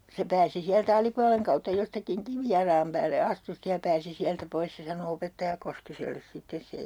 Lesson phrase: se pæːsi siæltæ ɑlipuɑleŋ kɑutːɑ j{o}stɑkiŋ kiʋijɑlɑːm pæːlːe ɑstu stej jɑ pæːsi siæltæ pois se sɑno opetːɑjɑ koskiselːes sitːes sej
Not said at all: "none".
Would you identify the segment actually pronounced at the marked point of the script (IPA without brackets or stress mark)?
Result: o